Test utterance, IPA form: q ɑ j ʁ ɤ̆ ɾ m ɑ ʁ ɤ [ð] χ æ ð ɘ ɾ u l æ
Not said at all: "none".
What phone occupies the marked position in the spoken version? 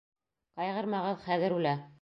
ð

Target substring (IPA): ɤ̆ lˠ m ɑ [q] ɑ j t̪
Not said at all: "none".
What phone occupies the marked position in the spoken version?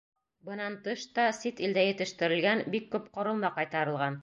q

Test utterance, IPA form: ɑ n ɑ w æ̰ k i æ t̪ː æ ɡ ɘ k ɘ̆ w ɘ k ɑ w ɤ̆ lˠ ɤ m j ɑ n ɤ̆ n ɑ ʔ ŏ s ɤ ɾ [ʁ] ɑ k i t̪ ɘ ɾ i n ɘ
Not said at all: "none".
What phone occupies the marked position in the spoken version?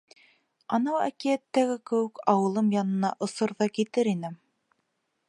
ð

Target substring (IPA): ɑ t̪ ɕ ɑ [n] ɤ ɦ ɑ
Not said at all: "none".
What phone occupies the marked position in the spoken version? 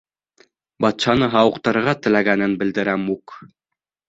n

